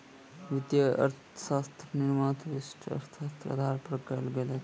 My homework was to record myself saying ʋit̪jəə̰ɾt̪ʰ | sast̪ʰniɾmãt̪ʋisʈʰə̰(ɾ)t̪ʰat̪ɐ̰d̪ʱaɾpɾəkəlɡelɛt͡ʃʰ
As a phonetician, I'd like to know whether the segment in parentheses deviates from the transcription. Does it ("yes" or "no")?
no